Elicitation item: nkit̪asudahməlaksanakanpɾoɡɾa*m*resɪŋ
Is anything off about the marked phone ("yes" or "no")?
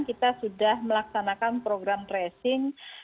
no